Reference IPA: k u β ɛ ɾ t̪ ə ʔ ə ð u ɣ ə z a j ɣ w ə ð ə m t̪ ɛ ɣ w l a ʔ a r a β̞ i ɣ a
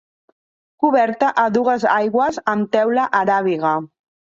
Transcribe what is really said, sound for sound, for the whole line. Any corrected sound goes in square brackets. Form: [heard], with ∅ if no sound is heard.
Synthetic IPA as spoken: k u β ɛ ɾ t̪ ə ʔ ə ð u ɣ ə z a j ɣ w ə [z] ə m t̪ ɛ [∅] w l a ʔ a [ɾ] a β̞ i ɣ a